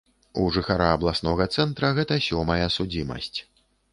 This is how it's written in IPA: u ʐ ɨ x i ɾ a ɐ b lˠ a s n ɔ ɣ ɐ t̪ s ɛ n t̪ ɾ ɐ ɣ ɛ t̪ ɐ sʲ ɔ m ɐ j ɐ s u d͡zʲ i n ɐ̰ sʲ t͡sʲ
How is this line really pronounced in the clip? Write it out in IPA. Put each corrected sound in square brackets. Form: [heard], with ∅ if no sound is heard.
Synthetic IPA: u ʐ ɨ x [a] ɾ a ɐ b lˠ a s n ɔ ɣ ɐ t̪ s ɛ n t̪ ɾ ɐ ɣ ɛ t̪ ɐ sʲ ɔ m ɐ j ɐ s u d͡zʲ i [m] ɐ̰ sʲ t͡sʲ